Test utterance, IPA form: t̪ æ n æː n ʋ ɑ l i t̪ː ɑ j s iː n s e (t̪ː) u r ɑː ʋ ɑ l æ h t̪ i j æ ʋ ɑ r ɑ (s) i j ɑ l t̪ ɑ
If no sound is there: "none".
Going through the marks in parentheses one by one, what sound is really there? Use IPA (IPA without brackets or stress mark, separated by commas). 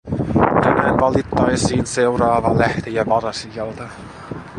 none, s